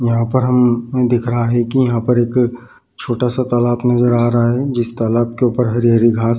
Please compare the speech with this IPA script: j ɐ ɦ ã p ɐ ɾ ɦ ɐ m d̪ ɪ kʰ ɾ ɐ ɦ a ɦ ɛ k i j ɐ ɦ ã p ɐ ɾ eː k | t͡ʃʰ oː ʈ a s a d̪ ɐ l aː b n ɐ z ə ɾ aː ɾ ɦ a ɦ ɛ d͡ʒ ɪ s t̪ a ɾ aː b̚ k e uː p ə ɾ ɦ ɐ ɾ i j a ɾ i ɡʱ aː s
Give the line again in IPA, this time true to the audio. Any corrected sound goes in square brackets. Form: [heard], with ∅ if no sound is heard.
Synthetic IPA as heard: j ɐ ɦ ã p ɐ ɾ ɦ ɐ m d̪ ɪ kʰ ɾ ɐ ɦ a ɦ ɛ k i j ɐ ɦ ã p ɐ ɾ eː k | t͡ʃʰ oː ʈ a s a [t̪] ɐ l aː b n ɐ z ə ɾ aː ɾ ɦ a ɦ ɛ d͡ʒ ɪ s t̪ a [l] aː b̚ k e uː p ə ɾ ɦ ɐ ɾ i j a ɾ i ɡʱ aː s